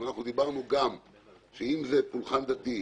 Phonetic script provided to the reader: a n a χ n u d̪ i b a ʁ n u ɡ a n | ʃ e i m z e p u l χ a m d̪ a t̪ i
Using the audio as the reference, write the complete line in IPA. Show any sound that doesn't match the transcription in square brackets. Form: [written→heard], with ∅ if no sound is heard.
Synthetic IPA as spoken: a n a χ n u d̪ i b a ʁ n u ɡ a [n→m] | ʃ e i m z e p u l χ a [m→n] d̪ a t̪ i